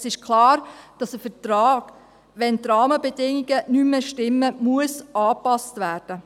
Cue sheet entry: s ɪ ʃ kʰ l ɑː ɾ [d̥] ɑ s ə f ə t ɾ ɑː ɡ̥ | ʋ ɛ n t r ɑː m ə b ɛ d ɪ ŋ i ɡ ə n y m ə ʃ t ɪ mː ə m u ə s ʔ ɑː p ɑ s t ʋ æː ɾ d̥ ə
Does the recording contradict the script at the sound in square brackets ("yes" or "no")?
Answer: no